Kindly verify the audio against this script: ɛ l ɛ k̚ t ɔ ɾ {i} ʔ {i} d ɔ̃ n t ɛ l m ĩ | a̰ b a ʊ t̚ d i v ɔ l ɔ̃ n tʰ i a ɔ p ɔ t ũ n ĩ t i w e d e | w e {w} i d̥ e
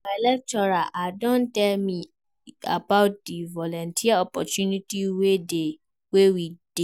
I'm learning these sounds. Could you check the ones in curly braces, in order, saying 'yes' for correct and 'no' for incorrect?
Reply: no, no, yes

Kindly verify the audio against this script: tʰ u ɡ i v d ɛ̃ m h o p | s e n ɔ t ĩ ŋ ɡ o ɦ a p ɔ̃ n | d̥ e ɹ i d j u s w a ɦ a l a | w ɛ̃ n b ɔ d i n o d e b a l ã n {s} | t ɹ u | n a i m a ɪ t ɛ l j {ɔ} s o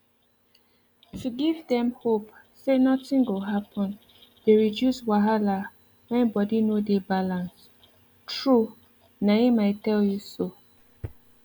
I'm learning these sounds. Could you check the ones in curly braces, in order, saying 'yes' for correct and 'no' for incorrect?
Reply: yes, no

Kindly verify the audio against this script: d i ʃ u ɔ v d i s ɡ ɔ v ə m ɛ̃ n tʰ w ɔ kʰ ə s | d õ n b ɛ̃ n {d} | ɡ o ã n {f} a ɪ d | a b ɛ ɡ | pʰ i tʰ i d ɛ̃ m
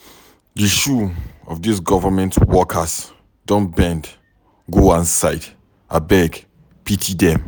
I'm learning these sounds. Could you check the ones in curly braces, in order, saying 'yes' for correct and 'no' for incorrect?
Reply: yes, no

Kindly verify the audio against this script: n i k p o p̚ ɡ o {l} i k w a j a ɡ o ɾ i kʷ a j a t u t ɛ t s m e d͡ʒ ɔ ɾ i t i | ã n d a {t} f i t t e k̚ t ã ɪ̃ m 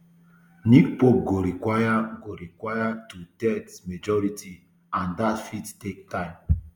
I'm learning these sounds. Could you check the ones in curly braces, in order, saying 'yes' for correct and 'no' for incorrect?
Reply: no, yes

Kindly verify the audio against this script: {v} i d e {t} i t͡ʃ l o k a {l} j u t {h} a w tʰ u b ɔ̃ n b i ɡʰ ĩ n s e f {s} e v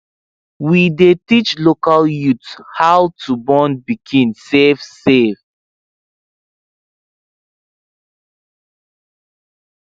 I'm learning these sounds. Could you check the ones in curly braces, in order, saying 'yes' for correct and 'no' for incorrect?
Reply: no, yes, yes, yes, yes

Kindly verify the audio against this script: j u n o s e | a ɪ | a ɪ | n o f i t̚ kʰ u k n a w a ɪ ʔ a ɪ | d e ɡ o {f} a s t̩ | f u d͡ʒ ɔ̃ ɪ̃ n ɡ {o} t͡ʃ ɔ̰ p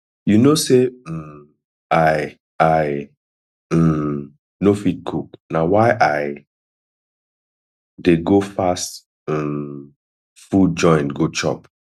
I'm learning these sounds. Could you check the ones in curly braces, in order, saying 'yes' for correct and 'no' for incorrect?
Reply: yes, yes

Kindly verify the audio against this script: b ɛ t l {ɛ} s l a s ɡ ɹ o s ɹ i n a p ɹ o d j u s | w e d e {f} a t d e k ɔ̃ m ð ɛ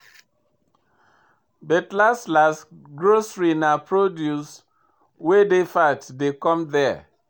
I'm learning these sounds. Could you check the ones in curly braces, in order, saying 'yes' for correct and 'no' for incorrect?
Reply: no, yes

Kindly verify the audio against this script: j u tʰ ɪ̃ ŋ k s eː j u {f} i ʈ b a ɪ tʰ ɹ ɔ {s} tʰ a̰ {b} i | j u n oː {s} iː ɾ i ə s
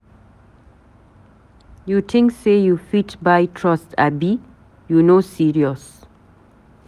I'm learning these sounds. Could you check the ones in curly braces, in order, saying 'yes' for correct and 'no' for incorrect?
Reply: yes, yes, yes, yes

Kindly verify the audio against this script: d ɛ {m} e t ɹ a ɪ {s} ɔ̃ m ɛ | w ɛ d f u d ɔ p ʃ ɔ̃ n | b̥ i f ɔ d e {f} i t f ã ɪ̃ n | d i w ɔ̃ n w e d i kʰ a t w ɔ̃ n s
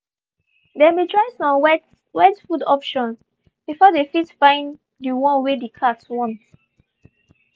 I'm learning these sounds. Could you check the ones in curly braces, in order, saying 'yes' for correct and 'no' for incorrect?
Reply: yes, yes, yes

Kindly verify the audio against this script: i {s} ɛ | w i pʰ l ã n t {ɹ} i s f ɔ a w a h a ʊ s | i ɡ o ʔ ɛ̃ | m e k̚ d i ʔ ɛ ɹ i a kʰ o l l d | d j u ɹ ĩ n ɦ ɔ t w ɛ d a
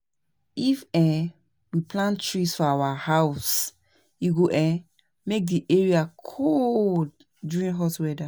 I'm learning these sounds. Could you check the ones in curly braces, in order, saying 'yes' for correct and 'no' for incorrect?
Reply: no, yes

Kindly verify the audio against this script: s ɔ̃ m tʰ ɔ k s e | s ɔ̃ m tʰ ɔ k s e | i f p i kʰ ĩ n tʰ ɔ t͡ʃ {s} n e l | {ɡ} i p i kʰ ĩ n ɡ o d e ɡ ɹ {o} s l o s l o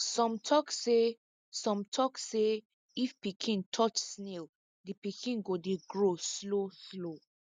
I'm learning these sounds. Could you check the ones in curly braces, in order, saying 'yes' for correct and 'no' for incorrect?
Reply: yes, no, yes

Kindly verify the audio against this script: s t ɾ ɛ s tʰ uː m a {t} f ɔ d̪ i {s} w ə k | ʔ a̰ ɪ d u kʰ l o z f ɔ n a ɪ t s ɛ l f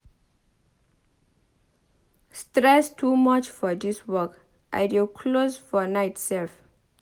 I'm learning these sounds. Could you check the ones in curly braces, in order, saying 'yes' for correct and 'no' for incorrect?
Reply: no, yes

